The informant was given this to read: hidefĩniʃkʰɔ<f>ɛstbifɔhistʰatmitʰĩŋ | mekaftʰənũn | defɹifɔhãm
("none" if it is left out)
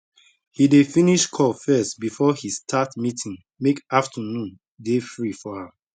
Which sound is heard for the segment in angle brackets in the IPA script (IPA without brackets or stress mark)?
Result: f